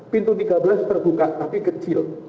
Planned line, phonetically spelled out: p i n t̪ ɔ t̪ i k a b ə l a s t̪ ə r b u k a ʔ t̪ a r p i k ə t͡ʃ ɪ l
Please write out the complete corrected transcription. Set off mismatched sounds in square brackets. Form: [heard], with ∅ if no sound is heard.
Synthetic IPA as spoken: p i n t̪ [u] t̪ i [ɡ] a b ə l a s t̪ ə r b u k a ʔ t̪ a [∅] p i k ə t͡ʃ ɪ l